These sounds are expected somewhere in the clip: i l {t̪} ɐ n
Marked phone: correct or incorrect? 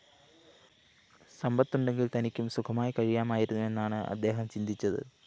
correct